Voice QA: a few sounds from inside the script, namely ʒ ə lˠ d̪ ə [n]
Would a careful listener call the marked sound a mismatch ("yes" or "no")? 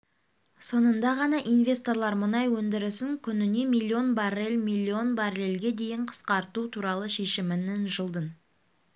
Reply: no